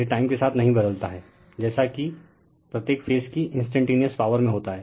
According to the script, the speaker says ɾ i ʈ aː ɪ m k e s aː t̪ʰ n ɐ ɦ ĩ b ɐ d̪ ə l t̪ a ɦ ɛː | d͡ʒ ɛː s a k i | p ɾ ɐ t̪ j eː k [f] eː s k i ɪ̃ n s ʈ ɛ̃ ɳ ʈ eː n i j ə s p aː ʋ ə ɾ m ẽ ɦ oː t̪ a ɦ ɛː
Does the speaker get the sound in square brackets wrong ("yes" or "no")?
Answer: no